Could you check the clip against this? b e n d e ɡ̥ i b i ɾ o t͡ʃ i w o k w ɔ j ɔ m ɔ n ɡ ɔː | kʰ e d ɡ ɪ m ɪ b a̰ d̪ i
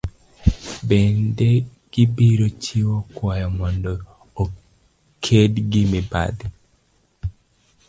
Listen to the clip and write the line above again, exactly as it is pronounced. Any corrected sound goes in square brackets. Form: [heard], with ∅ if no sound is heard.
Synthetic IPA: b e n d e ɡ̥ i b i ɾ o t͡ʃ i w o k w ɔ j ɔ m ɔ n [d] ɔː | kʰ e d ɡ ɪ m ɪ b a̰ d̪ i